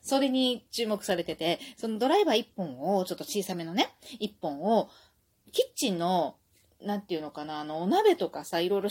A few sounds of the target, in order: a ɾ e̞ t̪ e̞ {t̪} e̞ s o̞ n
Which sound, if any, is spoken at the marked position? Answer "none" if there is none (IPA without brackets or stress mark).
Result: t̪